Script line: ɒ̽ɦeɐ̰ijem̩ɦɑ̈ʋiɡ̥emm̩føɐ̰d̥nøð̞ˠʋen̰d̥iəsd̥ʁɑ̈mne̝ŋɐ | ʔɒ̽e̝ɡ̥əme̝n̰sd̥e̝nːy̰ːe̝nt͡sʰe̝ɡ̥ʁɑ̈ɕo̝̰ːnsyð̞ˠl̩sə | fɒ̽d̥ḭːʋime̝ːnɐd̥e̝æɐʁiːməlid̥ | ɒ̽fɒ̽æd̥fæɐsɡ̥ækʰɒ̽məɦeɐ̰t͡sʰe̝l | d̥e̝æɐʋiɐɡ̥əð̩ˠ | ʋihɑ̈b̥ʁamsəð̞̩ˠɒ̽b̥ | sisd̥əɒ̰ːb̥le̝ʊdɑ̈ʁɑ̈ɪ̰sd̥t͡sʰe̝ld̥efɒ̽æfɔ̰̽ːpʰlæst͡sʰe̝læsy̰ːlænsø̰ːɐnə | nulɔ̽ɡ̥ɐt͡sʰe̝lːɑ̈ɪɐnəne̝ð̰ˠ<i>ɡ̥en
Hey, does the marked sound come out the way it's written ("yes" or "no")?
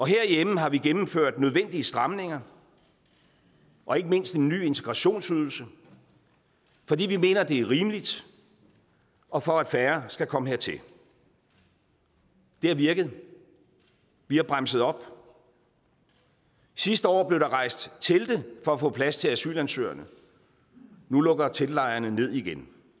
yes